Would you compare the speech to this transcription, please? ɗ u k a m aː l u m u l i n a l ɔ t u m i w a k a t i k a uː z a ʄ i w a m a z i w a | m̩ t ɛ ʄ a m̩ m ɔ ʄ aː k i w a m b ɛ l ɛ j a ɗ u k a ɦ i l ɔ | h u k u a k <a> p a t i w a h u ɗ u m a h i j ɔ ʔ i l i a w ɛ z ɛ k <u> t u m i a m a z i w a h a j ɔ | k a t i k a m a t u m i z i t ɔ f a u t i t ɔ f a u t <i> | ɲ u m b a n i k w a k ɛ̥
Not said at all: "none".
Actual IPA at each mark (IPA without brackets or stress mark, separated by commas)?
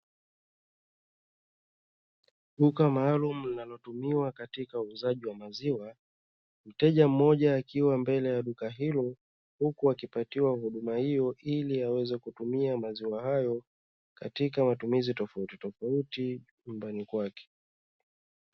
i, u, i